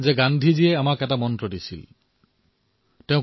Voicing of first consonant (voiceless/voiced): voiced